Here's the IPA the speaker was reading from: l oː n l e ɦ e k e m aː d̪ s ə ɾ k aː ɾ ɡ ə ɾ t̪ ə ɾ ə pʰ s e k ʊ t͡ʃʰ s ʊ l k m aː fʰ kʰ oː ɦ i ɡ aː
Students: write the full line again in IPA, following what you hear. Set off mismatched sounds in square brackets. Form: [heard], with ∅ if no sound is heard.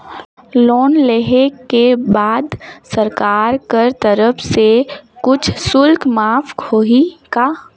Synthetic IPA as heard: l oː n l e ɦ e k e [b] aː d̪ s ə ɾ k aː ɾ [k] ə ɾ t̪ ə ɾ ə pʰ s e k ʊ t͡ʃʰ s ʊ l k m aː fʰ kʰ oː ɦ i [k] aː